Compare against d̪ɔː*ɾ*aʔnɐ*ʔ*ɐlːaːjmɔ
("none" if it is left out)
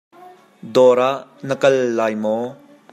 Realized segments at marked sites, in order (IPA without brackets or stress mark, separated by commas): ɾ, k